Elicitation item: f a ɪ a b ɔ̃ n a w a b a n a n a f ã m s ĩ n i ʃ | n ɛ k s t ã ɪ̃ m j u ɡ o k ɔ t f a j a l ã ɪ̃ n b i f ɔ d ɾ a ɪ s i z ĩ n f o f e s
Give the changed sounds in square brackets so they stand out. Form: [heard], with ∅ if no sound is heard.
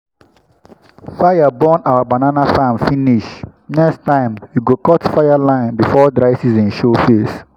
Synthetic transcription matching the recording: f a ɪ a b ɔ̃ n a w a b a n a n a f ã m [f] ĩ n i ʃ | n ɛ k s t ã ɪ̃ m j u ɡ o k ɔ t f a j a l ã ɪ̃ n b i f ɔ d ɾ a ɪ s i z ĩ n [ʃ] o f e s